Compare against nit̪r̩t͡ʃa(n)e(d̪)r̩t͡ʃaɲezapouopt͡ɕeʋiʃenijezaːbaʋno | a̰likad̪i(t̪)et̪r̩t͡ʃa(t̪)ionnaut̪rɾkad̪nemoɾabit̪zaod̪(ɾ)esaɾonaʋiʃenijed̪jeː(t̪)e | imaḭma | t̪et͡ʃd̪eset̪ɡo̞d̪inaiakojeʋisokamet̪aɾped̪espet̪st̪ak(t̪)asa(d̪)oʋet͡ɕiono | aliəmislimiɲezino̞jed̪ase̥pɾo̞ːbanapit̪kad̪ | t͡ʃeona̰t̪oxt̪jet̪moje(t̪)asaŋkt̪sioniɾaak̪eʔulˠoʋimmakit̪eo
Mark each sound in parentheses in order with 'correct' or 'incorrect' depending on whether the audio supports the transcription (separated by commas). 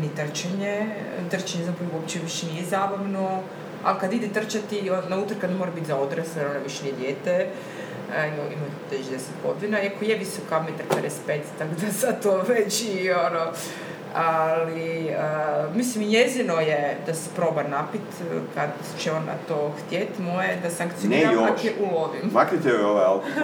incorrect, incorrect, incorrect, correct, correct, correct, incorrect, incorrect, incorrect